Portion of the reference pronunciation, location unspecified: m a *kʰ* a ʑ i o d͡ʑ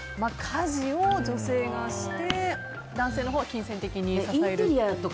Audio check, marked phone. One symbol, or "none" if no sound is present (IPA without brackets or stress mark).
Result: kʰ